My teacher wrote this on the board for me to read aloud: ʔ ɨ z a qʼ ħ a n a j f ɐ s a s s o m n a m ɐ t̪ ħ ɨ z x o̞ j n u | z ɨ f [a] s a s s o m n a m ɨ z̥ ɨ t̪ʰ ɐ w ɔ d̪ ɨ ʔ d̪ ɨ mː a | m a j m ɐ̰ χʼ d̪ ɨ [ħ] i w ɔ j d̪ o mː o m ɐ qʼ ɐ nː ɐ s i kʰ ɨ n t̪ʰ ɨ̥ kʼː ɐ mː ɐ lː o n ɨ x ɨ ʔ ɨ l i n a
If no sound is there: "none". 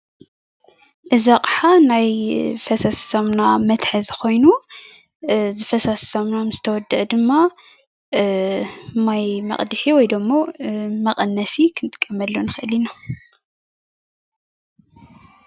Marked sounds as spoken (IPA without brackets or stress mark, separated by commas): ɐ, ħ